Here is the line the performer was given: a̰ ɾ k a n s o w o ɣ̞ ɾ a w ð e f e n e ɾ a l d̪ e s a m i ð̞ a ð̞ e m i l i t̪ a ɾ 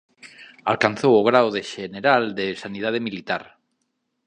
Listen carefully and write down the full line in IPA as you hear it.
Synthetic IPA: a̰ l k a n θ o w o ɣ̞ ɾ a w ð e ʃ e n e ɾ a l d̪ e s a n i ð̞ a ð̞ e m i l i t̪ a ɾ